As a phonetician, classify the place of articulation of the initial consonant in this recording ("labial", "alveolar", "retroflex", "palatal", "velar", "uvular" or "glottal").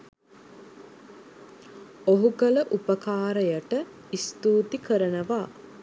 glottal